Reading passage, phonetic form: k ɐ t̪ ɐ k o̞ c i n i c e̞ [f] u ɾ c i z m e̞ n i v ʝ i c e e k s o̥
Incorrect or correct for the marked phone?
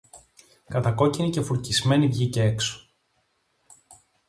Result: correct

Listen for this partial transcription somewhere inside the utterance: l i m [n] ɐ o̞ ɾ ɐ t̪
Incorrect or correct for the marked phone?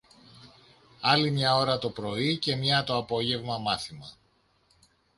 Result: incorrect: ɲ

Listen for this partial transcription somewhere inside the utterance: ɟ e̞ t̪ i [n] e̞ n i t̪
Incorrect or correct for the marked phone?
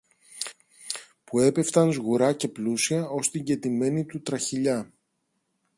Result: incorrect: m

